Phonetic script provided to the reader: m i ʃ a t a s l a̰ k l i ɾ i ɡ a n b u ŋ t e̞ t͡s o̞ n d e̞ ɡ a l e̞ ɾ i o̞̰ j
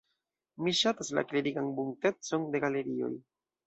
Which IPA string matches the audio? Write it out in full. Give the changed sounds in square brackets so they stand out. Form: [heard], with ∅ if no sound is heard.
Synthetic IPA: m i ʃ a t a s l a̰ k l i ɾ i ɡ a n b u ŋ t e̞ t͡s o̞ n d e̞ ɡ a l e̞ ɾ i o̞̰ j